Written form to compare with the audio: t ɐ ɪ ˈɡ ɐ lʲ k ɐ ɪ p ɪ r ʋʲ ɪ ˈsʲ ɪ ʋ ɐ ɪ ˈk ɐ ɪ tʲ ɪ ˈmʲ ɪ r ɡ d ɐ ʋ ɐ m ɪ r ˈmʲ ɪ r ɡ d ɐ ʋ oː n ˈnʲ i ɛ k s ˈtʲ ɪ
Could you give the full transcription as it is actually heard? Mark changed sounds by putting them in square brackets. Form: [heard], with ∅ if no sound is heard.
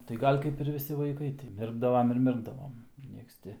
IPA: t ɐ ɪ ˈɡ ɐ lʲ k ɐ ɪ p ɪ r ʋʲ ɪ ˈsʲ ɪ ʋ ɐ ɪ ˈk ɐ ɪ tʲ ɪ ˈmʲ ɪ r ɡ d ɐ ʋ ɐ m ɪ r ˈmʲ ɪ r ɡ d ɐ ʋ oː [m] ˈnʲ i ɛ k s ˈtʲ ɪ